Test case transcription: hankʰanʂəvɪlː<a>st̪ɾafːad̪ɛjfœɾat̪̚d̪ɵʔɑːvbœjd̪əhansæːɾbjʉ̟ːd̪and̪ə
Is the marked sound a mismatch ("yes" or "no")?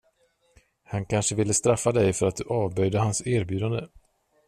yes